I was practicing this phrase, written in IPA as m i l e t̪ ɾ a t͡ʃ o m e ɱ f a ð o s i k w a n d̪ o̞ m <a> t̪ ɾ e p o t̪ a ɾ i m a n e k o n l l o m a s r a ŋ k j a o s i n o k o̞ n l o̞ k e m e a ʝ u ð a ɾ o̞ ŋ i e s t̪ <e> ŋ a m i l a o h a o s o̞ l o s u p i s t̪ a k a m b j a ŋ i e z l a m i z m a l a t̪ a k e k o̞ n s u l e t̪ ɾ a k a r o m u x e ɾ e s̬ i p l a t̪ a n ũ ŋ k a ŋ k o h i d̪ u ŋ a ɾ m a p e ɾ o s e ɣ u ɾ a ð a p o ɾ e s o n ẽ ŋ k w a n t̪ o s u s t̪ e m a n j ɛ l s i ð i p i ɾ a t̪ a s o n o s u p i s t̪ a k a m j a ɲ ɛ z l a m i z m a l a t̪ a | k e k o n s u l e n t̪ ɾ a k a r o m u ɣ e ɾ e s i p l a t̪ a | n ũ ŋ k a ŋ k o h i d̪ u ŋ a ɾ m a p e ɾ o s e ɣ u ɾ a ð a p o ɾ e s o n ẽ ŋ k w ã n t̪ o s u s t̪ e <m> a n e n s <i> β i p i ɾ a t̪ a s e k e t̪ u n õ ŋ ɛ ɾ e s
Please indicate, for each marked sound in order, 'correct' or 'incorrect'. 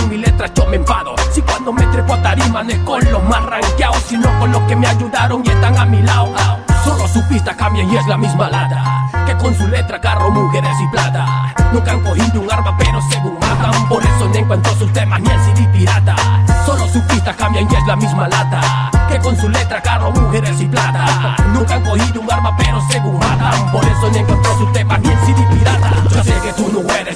incorrect, incorrect, correct, correct

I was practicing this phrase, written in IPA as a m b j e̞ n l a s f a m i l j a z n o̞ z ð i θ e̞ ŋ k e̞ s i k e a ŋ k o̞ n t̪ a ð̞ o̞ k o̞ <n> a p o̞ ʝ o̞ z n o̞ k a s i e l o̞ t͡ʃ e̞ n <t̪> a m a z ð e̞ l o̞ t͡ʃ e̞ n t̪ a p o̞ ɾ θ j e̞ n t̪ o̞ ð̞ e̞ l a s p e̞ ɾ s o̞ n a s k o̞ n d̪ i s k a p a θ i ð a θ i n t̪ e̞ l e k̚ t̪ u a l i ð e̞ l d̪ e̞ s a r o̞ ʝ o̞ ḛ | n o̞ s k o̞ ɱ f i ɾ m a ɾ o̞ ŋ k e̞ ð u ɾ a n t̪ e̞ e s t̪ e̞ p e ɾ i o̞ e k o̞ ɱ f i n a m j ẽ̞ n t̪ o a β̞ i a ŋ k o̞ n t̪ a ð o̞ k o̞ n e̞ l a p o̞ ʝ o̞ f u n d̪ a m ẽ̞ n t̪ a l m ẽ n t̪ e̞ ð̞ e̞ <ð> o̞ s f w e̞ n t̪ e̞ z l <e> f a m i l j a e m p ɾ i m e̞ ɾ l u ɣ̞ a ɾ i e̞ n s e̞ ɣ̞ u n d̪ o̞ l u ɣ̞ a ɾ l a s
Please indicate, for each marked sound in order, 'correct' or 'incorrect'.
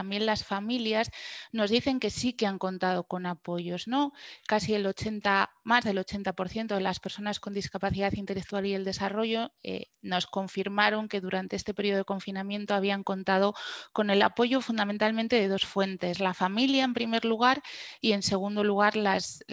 correct, correct, correct, incorrect

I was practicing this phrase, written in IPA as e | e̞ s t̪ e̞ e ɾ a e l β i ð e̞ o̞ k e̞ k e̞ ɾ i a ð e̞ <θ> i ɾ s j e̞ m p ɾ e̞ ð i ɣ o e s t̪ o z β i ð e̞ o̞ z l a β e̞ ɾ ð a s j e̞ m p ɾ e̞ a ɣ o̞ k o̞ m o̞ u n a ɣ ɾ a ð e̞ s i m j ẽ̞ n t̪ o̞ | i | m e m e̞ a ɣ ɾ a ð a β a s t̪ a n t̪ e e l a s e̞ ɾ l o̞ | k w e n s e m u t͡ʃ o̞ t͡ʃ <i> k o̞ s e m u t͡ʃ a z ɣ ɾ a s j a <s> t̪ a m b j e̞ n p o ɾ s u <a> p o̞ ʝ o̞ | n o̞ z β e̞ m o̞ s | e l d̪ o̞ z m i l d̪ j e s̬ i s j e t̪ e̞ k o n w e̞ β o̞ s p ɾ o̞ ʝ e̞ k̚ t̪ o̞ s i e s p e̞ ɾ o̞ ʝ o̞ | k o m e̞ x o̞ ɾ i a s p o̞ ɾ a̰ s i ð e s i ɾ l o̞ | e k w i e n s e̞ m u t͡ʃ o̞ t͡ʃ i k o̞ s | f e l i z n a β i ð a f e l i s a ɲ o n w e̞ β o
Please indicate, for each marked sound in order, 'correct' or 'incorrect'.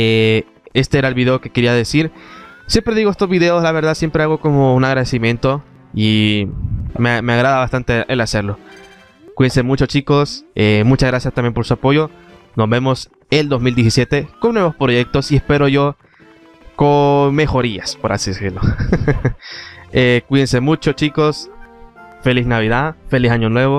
incorrect, correct, correct, correct

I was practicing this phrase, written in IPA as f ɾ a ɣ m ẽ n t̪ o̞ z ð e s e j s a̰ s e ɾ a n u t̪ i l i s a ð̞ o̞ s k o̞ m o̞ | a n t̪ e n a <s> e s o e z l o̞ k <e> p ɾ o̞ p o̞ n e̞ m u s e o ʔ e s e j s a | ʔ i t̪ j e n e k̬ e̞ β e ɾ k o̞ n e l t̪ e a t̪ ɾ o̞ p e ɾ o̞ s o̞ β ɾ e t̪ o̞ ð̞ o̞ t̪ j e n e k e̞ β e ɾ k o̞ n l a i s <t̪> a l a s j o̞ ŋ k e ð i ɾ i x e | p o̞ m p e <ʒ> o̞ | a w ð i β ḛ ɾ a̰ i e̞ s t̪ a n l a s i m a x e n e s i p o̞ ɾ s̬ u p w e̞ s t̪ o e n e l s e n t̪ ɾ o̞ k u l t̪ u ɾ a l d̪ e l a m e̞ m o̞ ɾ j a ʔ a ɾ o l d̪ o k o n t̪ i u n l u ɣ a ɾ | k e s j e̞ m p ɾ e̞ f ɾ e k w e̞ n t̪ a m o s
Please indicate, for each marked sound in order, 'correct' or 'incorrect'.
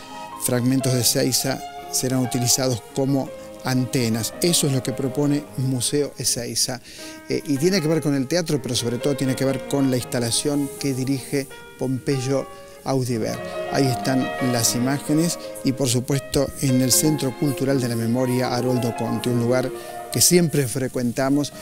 correct, correct, correct, correct

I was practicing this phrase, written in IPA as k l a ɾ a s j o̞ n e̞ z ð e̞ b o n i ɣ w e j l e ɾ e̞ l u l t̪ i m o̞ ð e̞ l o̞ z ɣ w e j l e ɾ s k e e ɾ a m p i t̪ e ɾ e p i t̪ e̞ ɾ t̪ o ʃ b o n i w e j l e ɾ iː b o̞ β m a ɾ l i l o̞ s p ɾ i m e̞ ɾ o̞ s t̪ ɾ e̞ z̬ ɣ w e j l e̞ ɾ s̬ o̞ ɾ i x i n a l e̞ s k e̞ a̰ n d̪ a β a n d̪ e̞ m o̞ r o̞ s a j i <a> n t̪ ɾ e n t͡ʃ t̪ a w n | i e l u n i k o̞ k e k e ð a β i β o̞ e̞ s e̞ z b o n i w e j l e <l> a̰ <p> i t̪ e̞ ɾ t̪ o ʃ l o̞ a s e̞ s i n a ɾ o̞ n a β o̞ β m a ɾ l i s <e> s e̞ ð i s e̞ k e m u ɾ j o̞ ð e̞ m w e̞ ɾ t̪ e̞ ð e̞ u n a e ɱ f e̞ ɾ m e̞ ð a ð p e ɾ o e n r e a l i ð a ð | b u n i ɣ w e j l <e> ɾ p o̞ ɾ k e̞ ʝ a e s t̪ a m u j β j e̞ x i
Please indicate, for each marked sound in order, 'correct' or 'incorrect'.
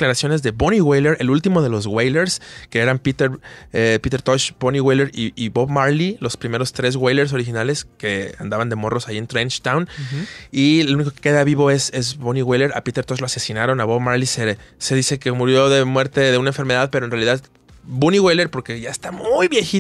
incorrect, incorrect, correct, correct, correct

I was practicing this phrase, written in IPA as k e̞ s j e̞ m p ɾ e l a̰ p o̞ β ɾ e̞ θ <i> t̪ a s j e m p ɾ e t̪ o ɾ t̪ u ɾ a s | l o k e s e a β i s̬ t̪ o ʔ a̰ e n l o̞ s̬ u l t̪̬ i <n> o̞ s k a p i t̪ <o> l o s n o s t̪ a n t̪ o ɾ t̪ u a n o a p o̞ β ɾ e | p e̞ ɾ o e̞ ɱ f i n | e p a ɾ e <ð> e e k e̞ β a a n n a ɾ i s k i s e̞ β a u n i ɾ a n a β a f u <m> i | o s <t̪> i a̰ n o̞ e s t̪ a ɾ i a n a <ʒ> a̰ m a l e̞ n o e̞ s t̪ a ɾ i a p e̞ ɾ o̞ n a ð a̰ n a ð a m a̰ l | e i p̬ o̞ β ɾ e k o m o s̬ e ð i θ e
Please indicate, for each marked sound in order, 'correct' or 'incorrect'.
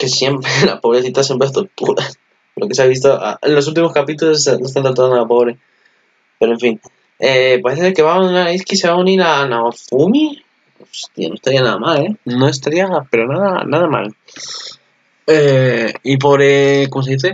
correct, incorrect, incorrect, incorrect, correct, correct, incorrect

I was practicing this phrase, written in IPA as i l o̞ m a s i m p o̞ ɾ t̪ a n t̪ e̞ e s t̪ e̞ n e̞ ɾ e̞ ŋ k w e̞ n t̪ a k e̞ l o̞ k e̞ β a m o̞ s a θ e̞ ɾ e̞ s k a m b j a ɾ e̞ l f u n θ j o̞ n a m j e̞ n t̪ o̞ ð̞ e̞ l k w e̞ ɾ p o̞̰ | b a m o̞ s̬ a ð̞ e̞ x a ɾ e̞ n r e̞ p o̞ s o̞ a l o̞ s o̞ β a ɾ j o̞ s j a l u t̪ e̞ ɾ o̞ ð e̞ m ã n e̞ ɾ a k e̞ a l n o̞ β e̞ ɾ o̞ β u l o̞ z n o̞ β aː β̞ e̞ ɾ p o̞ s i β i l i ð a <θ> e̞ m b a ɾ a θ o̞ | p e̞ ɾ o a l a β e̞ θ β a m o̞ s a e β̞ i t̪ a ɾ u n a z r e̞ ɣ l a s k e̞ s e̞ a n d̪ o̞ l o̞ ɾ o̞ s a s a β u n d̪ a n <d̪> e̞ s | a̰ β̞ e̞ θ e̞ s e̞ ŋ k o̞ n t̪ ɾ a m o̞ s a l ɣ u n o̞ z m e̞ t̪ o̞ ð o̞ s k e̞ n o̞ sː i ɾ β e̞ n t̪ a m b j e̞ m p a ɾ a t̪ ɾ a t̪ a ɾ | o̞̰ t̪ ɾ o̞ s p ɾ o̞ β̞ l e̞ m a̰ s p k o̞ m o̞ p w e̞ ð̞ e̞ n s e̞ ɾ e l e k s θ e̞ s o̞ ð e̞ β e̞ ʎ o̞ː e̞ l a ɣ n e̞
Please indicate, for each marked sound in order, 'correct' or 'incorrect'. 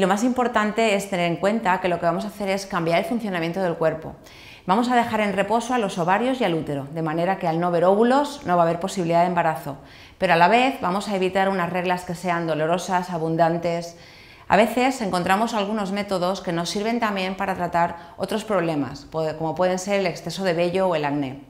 incorrect, incorrect

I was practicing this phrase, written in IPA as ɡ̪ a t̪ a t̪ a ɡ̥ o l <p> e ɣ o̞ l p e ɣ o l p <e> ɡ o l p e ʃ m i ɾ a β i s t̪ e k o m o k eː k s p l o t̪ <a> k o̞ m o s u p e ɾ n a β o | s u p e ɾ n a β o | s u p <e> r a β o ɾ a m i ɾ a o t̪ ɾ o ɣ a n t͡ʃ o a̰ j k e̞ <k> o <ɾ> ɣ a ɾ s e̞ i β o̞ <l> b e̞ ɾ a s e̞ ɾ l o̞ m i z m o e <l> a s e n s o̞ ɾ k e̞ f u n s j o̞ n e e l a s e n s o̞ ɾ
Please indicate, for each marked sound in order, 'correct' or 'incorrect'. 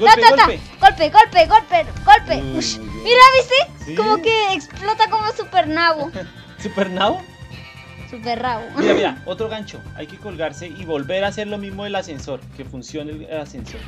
correct, correct, correct, correct, correct, incorrect, correct, correct

